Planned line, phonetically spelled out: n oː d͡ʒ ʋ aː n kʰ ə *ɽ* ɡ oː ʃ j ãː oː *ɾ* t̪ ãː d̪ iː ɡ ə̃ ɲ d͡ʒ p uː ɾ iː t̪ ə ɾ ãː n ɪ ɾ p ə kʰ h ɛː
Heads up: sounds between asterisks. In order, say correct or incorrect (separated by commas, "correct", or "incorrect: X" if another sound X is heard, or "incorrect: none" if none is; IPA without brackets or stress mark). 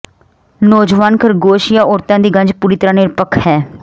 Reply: incorrect: ɾ, correct